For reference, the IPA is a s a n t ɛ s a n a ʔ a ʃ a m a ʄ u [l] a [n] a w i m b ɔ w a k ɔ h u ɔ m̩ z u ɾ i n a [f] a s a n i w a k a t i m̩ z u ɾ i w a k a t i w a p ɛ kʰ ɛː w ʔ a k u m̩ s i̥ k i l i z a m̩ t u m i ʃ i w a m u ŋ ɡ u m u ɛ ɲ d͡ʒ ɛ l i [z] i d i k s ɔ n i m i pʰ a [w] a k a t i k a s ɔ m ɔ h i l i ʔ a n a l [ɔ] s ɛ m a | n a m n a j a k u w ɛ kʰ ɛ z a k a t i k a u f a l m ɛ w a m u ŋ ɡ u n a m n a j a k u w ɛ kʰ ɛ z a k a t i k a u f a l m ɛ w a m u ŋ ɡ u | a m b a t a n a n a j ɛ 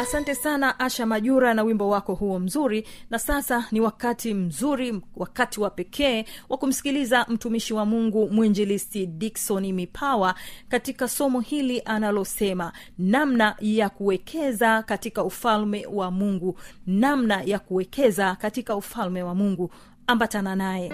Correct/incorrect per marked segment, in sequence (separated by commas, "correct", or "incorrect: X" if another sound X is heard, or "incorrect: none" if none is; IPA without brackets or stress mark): incorrect: ɾ, correct, incorrect: s, incorrect: s, correct, correct